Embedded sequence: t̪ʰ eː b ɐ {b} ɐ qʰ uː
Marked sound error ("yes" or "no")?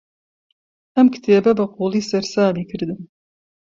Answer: no